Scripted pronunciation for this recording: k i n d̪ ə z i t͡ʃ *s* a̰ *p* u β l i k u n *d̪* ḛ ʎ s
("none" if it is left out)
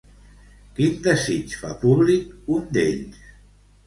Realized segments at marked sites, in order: f, p, d̪

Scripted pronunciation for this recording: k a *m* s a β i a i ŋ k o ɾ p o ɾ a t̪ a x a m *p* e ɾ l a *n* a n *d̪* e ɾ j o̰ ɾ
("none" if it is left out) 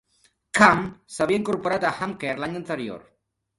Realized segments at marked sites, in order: m, k, ɲ, t̪

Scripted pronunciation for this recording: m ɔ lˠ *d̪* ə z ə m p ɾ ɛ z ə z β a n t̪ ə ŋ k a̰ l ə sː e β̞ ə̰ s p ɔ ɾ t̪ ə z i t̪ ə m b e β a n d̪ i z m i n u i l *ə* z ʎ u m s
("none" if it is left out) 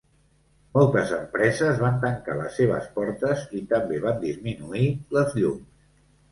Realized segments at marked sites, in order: t̪, ə

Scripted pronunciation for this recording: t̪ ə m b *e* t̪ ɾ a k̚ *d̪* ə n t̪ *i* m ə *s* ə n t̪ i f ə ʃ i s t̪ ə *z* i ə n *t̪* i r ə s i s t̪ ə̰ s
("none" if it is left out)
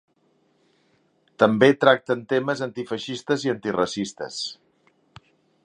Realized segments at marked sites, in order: e, t̪, e, z, z, t̪

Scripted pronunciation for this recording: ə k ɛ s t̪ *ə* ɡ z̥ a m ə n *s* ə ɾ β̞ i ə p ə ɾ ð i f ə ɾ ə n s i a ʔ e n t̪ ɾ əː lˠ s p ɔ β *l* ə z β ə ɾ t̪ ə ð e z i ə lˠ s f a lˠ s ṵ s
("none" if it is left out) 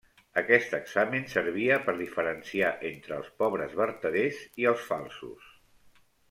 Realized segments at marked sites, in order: ə, s, ɾ

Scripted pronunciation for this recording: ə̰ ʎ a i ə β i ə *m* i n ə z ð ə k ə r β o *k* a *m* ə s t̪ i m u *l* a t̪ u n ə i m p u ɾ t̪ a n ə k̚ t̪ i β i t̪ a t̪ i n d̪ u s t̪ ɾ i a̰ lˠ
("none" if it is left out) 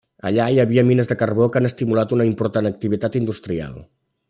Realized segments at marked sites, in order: m, k, n, l

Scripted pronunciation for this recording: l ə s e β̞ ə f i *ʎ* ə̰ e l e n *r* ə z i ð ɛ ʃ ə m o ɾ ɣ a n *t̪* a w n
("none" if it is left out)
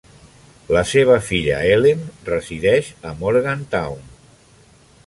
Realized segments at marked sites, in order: ʎ, r, t̪

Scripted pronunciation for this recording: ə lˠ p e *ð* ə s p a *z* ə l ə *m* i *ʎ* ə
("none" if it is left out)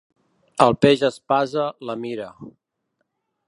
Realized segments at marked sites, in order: ʒ, z, m, ɾ

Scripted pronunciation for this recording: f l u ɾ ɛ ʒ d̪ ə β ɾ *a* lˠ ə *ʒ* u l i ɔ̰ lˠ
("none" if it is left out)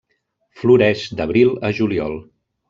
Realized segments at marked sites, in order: i, ʒ

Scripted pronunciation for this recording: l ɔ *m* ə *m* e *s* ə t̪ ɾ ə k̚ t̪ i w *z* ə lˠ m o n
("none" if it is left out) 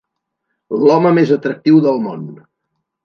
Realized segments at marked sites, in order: m, m, z, ð

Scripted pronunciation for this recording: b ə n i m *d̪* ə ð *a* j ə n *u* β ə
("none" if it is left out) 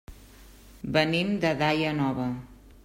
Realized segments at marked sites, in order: d̪, a, ɔ

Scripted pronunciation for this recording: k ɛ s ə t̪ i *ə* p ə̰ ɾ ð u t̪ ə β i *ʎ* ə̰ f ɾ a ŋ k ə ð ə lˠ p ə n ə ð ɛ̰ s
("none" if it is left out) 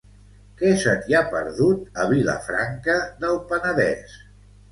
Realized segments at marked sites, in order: a, l

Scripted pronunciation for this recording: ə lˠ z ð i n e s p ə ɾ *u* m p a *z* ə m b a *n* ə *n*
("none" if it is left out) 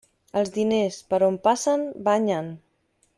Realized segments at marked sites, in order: o, s, ɲ, n

